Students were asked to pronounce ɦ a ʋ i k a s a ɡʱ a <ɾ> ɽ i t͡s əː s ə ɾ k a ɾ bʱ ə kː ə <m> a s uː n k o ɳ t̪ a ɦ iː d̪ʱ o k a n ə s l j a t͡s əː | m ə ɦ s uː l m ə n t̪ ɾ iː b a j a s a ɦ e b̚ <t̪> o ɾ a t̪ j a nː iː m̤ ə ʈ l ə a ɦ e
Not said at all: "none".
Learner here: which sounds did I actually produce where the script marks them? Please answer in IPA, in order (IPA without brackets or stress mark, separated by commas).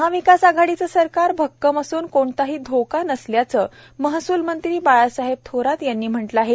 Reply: none, m, t̪ʰ